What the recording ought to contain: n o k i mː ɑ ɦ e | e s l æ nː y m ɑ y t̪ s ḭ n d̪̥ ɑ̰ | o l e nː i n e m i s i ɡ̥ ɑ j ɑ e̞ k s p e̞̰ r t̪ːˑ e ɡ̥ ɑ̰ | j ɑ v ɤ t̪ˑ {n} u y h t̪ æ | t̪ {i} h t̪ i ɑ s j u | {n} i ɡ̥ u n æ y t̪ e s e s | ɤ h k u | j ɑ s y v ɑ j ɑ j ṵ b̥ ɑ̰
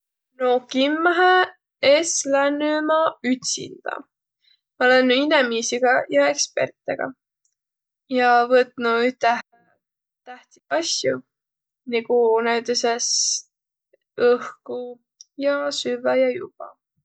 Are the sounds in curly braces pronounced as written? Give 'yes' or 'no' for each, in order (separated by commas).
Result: yes, no, yes